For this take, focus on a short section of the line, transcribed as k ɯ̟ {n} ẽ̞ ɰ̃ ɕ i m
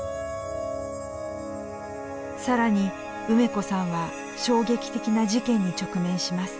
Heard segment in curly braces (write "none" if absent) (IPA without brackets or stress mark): m